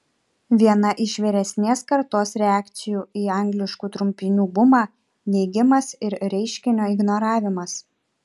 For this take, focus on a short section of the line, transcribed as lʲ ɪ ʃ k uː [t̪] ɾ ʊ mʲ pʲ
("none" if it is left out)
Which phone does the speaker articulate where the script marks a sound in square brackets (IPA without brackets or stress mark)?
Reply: t̪